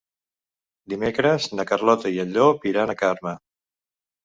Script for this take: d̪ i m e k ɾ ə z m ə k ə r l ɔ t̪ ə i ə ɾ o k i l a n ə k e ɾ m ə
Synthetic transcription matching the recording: d̪ i m e k ɾ ə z n ə k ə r l ɔ t̪ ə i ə ʎ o p i ɾ a n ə k a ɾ m ə